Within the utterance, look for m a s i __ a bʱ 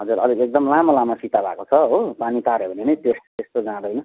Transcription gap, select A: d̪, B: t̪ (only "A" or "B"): B